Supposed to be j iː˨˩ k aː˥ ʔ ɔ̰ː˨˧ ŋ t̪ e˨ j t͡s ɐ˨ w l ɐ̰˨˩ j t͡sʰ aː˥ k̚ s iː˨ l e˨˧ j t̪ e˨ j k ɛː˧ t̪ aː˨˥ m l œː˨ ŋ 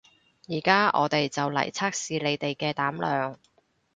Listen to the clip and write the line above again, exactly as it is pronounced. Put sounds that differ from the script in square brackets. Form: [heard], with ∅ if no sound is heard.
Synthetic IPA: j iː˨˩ k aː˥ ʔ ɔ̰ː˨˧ [∅] t̪ e˨ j t͡s ɐ˨ w l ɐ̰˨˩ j t͡sʰ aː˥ k̚ s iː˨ l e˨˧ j t̪ e˨ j k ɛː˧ t̪ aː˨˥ m l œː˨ ŋ